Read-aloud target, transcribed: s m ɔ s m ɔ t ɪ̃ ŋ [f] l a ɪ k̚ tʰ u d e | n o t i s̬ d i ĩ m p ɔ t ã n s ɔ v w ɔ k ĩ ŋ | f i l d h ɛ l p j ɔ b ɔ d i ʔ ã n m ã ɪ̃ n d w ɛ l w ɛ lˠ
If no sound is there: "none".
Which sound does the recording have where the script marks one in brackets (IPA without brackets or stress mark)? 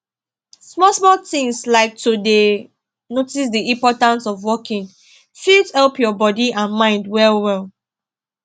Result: s